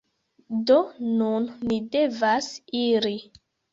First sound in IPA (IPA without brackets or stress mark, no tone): d